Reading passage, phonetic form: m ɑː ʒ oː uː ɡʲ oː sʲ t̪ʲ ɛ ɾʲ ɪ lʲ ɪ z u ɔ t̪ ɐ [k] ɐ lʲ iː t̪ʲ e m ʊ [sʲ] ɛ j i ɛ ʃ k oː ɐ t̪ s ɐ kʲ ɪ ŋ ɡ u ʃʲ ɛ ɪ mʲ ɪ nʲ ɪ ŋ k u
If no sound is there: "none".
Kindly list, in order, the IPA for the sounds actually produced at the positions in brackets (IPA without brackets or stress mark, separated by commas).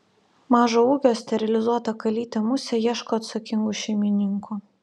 k, sʲ